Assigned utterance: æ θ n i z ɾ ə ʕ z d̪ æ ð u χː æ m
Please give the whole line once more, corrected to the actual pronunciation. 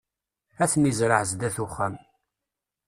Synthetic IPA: æ θ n i z ɾ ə ʕ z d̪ æ θ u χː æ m

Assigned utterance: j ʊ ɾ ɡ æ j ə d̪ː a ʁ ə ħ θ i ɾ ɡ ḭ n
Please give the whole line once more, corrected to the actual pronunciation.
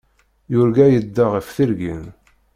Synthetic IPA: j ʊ ɾ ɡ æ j ə d̪ː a ʁ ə f θ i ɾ ɡ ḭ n

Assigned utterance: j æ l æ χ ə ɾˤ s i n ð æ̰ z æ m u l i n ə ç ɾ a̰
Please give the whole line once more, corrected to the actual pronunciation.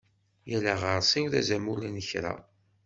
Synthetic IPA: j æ l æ ʁ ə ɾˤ s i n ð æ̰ z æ m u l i n ə ç ɾ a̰

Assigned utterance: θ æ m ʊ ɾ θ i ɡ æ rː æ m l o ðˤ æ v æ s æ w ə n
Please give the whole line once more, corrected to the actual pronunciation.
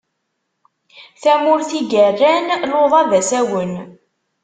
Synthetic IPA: θ æ m ʊ ɾ θ i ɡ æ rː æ n l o ðˤ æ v æ s æ w ə n

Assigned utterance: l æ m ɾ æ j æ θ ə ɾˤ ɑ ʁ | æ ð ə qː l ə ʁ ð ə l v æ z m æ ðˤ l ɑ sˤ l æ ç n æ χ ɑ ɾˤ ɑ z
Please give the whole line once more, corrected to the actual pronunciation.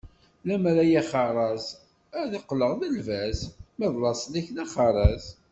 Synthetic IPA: l æ m ɾ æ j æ χ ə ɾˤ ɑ z | æ ð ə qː l ə ʁ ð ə l v æ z m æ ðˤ l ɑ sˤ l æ ç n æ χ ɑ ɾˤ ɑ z

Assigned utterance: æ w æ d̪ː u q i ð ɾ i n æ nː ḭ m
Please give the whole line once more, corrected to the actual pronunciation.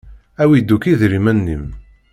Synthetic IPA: æ w i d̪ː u k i ð ɾ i m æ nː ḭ m

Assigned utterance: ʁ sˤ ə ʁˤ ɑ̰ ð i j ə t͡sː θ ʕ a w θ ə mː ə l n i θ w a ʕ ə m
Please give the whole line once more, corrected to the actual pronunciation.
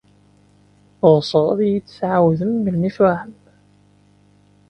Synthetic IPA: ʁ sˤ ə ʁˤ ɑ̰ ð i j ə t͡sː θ ʕ a w ð ə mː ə l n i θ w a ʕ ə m

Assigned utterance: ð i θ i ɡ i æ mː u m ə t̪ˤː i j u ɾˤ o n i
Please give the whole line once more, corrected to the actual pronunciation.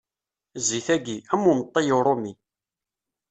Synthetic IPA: z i θ æ ɡ i æ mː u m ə t̪ˤː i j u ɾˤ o m i

